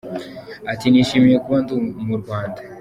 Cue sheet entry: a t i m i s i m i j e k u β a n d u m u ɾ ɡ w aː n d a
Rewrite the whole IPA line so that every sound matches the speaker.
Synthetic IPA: a t i n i ʃ i m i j e k u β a n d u m u ɾ ɡ w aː n d a